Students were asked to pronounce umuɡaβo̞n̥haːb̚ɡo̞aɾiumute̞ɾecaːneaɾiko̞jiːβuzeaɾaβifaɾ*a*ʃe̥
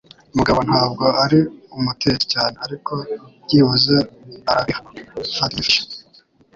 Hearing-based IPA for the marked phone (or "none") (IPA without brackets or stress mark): i